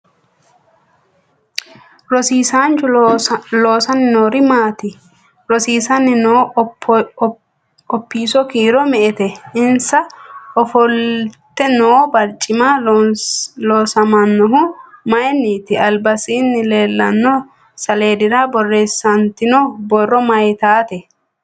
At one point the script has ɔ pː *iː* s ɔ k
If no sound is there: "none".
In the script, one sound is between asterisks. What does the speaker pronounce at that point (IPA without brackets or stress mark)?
iː